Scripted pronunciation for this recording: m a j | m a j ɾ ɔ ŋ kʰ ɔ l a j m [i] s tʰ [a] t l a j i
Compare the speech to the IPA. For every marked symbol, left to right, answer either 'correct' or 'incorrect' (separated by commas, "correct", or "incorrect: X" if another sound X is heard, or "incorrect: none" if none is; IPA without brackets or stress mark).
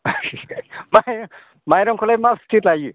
incorrect: a, incorrect: i